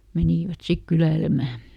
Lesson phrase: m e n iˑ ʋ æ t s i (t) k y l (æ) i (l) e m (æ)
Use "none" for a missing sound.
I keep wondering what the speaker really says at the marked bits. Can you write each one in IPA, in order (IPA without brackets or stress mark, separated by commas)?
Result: k, æ, l, æ